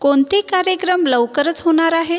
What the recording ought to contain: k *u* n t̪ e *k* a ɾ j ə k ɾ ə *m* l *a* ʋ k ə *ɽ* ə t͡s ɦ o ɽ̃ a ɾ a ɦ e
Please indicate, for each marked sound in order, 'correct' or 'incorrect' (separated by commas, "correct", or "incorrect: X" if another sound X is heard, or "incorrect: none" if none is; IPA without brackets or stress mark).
incorrect: o, correct, correct, incorrect: ə, incorrect: ɾ